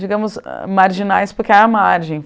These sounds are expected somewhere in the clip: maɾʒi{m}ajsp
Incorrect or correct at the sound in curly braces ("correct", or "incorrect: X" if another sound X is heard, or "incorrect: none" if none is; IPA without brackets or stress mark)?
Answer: incorrect: n